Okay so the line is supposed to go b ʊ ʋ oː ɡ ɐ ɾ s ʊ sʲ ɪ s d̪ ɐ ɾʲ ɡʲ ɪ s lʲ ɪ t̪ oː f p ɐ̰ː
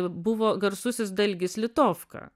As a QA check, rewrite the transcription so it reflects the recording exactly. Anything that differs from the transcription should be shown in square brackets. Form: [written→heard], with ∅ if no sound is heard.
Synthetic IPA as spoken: b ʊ ʋ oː ɡ ɐ ɾ s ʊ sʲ ɪ s d̪ ɐ [ɾʲ→lʲ] ɡʲ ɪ s lʲ ɪ t̪ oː f [p→k] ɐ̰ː